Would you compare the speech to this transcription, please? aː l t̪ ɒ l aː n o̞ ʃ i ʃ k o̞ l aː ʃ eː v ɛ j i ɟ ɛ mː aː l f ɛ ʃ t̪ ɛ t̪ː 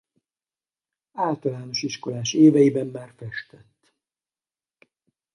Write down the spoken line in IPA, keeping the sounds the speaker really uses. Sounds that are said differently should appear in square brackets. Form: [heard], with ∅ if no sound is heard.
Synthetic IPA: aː l t̪ ɒ l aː n o̞ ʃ i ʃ k o̞ l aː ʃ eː v ɛ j i [b] ɛ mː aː [r] f ɛ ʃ t̪ ɛ t̪ː